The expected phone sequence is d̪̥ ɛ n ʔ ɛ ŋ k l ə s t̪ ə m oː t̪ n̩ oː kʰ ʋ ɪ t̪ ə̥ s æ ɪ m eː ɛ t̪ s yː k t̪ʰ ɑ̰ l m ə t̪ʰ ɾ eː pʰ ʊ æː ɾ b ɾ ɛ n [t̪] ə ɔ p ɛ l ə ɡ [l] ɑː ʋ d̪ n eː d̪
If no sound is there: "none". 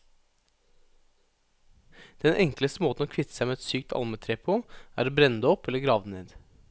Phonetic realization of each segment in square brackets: d̪, ɾ

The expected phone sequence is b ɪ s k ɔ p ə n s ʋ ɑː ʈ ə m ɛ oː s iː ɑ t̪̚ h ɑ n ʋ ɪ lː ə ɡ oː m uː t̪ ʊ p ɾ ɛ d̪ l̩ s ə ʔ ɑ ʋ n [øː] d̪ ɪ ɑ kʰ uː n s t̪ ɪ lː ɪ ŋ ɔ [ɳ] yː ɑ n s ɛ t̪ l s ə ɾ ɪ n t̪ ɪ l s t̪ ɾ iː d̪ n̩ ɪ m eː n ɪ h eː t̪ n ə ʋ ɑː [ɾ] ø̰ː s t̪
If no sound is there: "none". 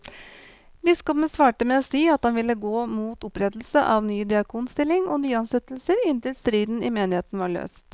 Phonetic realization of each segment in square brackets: yː, n, ɭ

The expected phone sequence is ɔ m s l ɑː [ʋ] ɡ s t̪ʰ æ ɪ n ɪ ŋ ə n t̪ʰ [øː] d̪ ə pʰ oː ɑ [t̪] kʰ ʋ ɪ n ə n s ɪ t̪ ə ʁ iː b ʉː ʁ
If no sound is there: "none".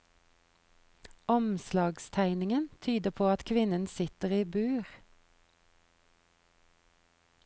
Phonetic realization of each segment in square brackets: none, yː, t̪

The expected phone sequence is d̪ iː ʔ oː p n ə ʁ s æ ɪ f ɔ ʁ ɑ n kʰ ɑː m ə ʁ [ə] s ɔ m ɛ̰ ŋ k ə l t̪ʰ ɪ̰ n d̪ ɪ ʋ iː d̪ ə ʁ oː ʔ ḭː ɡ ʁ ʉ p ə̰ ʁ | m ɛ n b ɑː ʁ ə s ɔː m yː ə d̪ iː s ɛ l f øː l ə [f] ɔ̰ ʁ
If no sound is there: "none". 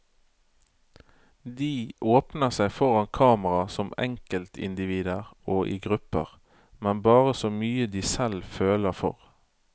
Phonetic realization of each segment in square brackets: ɑ, f

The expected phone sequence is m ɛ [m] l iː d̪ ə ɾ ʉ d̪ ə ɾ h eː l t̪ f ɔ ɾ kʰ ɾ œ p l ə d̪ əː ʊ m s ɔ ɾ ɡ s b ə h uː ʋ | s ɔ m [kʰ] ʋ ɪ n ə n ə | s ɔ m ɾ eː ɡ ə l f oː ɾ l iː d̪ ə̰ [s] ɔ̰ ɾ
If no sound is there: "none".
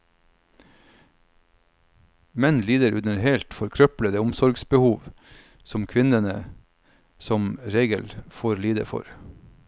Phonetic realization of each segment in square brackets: n, kʰ, f

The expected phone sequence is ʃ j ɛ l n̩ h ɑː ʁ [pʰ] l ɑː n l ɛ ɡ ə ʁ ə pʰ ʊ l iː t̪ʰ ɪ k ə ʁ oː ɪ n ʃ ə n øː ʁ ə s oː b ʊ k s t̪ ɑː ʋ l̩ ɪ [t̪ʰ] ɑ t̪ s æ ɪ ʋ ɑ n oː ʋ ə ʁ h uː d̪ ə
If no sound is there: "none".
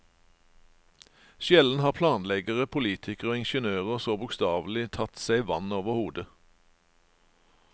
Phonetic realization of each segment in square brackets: pʰ, t̪ʰ

